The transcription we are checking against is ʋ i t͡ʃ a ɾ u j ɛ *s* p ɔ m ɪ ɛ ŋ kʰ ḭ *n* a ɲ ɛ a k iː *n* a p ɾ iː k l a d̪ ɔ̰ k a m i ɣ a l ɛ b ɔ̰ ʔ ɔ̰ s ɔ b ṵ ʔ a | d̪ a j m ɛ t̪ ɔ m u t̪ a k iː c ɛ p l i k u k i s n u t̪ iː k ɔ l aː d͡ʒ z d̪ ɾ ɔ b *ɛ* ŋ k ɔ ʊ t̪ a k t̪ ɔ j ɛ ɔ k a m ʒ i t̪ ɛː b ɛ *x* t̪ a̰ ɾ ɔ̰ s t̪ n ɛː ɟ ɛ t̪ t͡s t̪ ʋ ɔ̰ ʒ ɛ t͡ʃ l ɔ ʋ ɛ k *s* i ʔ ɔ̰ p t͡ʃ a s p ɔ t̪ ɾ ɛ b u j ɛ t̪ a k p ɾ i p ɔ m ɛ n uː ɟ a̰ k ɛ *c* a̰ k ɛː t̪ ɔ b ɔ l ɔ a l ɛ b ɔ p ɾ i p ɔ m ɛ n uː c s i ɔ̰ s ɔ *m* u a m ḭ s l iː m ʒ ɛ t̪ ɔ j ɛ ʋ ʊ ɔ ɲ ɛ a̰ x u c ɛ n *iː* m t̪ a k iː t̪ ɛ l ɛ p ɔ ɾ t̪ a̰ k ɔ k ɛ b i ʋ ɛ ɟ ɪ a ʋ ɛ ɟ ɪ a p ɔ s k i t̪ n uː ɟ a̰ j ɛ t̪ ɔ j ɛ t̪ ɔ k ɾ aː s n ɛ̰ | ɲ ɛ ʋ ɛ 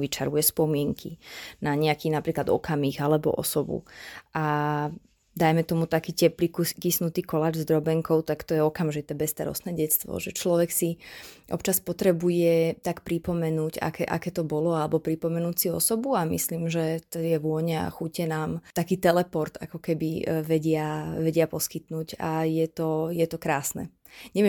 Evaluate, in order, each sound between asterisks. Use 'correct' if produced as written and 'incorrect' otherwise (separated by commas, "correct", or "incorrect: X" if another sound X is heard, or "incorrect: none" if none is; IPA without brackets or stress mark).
correct, correct, correct, correct, incorrect: s, correct, incorrect: ʔ, incorrect: b, incorrect: aː